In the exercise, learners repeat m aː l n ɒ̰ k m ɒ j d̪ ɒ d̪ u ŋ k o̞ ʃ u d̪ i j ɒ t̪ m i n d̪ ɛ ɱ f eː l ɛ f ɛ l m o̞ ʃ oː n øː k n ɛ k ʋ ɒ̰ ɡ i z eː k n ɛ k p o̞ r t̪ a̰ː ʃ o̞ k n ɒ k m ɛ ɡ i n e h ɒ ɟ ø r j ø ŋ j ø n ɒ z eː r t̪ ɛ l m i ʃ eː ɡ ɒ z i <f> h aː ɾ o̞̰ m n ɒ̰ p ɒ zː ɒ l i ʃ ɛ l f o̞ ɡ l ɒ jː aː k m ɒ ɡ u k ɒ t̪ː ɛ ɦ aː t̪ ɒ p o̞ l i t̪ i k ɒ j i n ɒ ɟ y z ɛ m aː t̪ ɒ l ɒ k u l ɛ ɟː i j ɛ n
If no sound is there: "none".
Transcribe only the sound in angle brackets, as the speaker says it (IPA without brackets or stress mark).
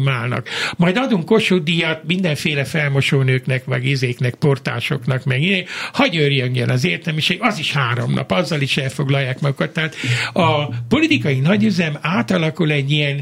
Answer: ʃ